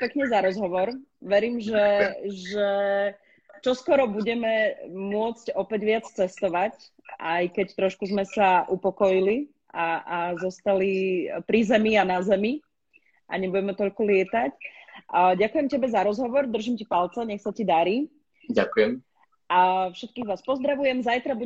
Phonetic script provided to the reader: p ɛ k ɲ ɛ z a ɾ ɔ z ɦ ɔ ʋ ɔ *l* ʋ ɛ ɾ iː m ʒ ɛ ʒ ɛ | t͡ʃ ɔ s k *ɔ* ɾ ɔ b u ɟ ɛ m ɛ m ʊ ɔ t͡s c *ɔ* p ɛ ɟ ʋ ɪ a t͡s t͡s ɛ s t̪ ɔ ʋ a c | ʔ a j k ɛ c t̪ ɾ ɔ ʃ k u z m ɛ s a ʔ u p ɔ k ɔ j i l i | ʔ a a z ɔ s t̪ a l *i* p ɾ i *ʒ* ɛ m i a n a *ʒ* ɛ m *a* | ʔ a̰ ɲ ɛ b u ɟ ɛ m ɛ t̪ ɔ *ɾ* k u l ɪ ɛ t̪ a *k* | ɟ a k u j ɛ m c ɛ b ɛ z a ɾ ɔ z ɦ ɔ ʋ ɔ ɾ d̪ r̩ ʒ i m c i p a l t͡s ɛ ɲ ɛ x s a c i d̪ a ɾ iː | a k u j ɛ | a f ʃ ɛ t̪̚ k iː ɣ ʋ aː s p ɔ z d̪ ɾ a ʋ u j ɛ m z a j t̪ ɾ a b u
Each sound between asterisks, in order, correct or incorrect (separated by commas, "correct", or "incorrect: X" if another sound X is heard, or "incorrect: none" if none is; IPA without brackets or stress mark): incorrect: ɾ, correct, correct, correct, incorrect: z, incorrect: z, incorrect: i, incorrect: ʎ, incorrect: c